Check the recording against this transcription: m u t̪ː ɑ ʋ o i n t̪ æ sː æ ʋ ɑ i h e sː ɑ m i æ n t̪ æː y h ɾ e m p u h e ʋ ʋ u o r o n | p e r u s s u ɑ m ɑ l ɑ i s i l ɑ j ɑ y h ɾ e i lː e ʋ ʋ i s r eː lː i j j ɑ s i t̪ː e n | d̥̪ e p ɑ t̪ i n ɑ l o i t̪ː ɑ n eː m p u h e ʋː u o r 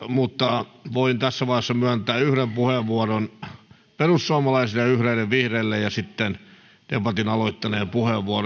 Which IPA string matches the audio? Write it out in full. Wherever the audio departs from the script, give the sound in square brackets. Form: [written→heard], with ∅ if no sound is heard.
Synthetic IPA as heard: m u t̪ː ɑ ʋ o i n t̪ æ sː æ ʋ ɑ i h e sː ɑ m [i→y] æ n t̪ æː y h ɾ e m p u h e ʋ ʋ u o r o n | p e r u s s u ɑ m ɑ l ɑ i s i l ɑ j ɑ y h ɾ e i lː e ʋ ʋ i [s→h] r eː lː [i→e] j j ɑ s i t̪ː e n | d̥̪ e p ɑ t̪ i n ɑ l o i t̪ː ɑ n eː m p u h e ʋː u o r

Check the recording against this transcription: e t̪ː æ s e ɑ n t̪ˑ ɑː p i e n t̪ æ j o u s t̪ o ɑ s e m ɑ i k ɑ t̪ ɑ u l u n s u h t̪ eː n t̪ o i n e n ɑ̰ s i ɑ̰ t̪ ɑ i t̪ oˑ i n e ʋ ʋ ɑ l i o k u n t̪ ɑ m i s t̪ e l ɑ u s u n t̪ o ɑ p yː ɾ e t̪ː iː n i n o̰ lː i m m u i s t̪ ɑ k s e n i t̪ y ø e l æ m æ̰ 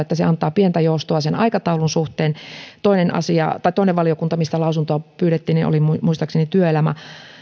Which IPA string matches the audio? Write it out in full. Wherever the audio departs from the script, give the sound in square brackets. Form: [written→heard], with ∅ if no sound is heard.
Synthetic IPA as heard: e t̪ː æ s e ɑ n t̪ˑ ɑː p i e n t̪ æ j o u s t̪ o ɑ s e [m→n] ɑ i k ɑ t̪ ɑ u l u n s u h t̪ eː n t̪ o i n e n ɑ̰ s i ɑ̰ t̪ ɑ i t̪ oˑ i n e ʋ ʋ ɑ l i o k u n t̪ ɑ m i s t̪ [e→æ] l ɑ u s u n t̪ o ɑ p yː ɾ e t̪ː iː n i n o̰ [lː→l] i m m u i s t̪ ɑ k s e n i t̪ y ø e l æ m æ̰

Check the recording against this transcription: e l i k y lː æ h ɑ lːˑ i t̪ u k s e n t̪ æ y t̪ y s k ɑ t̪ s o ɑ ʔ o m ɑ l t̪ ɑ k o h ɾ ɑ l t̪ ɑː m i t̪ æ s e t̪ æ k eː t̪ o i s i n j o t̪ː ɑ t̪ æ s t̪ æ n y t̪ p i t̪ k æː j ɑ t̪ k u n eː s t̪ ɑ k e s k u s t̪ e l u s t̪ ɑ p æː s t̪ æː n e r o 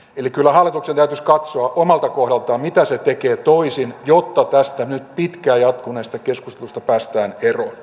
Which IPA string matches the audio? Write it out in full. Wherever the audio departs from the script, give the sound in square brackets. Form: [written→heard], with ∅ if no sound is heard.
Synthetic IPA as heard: e l i k y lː æ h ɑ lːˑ i t̪ u k s e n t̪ æ y t̪ y s k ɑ t̪ s o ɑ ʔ o m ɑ l t̪ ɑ k o h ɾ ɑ l t̪ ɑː m i t̪ æ s e t̪ [æ→e] k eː t̪ o i s i n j o t̪ː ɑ t̪ æ s t̪ æ n y t̪ p i t̪ k æː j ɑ t̪ k u n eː s t̪ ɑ k e s k u s t̪ e l u s t̪ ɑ p æː s t̪ æː n e r o

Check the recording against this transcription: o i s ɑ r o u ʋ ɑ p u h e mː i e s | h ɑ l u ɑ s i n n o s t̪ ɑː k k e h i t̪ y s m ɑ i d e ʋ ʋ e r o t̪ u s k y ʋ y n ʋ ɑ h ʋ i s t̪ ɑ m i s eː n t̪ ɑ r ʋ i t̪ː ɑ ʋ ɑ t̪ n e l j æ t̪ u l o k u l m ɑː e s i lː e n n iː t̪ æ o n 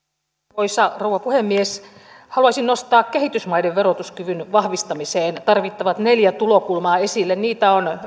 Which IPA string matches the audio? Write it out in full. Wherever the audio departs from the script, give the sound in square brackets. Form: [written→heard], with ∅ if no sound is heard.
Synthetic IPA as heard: o i s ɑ r o u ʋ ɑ p u h e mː i e s | h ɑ l u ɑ s i n n o s t̪ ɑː k k e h i t̪ y s m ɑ i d e ʋ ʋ e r o t̪ u s k y ʋ y n ʋ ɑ h ʋ i s t̪ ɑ m i s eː n t̪ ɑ r ʋ i t̪ː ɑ ʋ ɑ t̪ n e l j æ t̪ u l o k u l m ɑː e s i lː e n n iː t̪ æ o n

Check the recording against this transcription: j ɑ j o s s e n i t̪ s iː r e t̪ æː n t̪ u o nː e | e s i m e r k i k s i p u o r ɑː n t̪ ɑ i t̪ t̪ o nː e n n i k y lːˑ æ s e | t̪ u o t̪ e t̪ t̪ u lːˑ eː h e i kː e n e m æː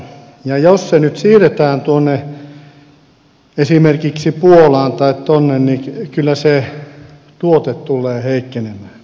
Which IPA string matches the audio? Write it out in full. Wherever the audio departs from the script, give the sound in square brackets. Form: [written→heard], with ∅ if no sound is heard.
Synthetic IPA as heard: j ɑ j o s s e n [i→y] t̪ s iː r e t̪ æː n t̪ u o nː e | e s i m e r k i k s i p u o [r→l] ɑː n t̪ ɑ i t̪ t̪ o nː e n n i k y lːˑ æ s e | t̪ u o t̪ e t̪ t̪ u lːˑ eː h e i kː e n e m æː

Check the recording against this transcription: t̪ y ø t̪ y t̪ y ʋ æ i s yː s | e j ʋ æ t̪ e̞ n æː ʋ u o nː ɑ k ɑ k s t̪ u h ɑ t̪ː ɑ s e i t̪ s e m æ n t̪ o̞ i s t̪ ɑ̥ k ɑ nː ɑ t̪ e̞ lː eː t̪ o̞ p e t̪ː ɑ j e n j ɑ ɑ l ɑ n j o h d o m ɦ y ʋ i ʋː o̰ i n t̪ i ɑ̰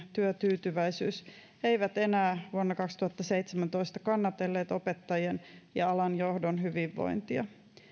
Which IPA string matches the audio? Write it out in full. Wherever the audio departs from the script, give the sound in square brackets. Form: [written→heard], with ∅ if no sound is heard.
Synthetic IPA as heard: t̪ y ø t̪ [y→yː] t̪ y ʋ æ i s yː s | e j ʋ æ t̪ e̞ n æː ʋ u o nː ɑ k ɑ k s t̪ u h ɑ t̪ː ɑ s e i t̪ s e m æ n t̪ o̞ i s t̪ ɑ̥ k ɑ nː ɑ t̪ e̞ lː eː t̪ o̞ p e t̪ː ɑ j e n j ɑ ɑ l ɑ n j o h d o [m→n] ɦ y ʋ i ʋː o̰ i n t̪ i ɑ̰

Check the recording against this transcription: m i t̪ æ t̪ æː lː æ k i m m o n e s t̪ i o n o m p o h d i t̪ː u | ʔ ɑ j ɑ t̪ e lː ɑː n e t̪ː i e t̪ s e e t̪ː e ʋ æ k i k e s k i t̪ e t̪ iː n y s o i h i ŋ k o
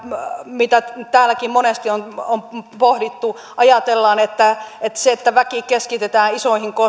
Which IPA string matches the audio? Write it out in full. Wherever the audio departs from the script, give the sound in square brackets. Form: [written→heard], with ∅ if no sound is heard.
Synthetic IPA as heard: m i t̪ æ t̪ æː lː æ k i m m o n e s t̪ i o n o m p o h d i t̪ː u | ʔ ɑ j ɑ t̪ e lː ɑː n e t̪ː [i→æ] e t̪ s e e t̪ː [e→æ] ʋ æ k i k e s k i t̪ e t̪ [iː→æː] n [y→i] s o i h i ŋ k o

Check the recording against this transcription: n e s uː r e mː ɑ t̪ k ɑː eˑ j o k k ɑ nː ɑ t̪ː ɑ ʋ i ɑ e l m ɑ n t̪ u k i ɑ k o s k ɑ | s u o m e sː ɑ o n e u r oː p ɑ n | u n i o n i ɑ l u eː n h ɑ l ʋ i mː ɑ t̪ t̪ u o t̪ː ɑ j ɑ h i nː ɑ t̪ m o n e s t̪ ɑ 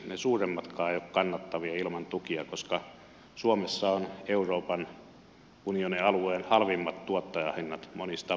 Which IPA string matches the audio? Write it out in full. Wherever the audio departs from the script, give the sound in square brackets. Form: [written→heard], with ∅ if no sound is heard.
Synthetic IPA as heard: n e s uː r e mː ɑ t̪ k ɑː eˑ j o k k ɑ nː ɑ t̪ː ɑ ʋ i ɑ [e→i] l m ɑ n t̪ u k i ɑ k o s k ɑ | s u o m e sː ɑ o n e u r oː p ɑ n | u n i o n i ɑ l u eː n h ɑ l ʋ i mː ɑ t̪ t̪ u o t̪ː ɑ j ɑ h i nː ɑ t̪ m o n [e→i] s t̪ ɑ

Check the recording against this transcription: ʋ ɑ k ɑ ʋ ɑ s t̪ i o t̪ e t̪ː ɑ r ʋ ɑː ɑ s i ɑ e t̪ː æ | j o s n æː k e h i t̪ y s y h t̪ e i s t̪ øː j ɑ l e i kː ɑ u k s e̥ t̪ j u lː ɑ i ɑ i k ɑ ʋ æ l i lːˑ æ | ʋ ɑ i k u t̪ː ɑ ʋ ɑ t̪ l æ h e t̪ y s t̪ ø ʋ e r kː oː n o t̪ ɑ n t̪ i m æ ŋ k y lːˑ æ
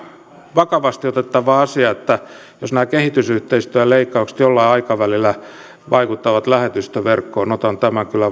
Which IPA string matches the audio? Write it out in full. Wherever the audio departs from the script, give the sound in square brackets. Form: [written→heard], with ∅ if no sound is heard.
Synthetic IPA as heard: ʋ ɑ k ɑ ʋ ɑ s t̪ i o t̪ e t̪ː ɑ [r→∅] ʋ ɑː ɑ s i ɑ e t̪ː æ | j o s n æː k e h i t̪ y s y h t̪ e i s t̪ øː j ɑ l e i kː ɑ u k s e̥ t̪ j [u→o] lː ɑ i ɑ i k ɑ ʋ æ l i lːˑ æ | ʋ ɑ i k u t̪ː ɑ ʋ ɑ t̪ l æ h e t̪ y s t̪ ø ʋ e r kː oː n o t̪ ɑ n t̪ [i→æ] m æ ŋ k y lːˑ æ

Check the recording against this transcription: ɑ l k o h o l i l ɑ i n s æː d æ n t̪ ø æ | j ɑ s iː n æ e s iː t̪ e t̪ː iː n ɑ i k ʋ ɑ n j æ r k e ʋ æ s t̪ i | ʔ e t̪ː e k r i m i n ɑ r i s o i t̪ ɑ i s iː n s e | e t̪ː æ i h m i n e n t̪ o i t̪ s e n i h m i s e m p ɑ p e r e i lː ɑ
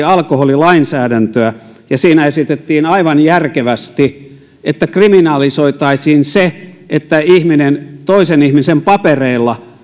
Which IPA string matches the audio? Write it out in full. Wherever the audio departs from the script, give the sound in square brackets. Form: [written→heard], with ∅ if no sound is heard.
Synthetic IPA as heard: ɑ l k o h o l i l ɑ i n s æː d æ n t̪ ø æ | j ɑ s iː n æ e s [iː→i] t̪ e t̪ː iː n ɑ i [k→∅] ʋ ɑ n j æ r k e ʋ æ s t̪ i | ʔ e t̪ː [e→æ] k r i m i n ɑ [r→l] i s o i t̪ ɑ i s iː n s e | e t̪ː æ i h m i n e n t̪ o i [t̪→∅] s e n i h m i s e m p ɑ p e r e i lː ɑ

